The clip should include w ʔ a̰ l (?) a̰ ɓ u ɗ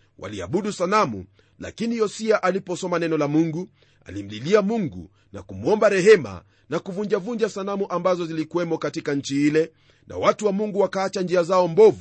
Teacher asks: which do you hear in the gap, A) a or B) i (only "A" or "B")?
B